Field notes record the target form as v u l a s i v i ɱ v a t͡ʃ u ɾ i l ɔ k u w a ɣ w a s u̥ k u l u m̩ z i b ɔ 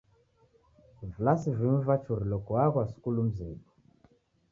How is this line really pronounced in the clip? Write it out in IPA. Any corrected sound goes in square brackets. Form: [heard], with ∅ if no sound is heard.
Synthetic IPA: v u l a s i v i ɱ v a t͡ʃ u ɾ i l ɔ k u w a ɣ w a s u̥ k u l u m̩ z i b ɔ